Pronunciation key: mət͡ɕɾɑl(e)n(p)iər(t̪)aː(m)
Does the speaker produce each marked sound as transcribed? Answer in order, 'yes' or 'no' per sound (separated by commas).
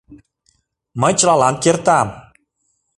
no, no, yes, yes